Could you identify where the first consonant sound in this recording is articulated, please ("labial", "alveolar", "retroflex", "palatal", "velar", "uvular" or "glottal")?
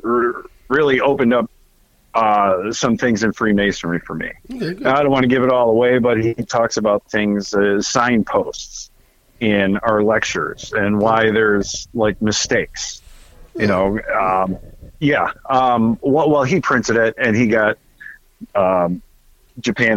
alveolar